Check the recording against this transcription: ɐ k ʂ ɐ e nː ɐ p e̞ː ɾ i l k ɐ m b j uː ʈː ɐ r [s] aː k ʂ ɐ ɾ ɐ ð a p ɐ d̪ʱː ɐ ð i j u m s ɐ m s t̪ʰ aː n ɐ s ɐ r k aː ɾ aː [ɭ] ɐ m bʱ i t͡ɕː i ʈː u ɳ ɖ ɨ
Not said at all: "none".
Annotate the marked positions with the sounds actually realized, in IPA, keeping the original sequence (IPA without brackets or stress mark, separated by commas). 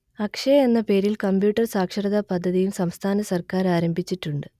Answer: s, ɾ